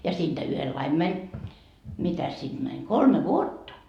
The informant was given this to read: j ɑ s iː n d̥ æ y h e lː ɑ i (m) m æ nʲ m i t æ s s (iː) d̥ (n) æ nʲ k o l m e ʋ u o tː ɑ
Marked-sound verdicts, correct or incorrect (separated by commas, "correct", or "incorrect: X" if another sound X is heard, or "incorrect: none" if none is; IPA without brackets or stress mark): correct, incorrect: i, incorrect: m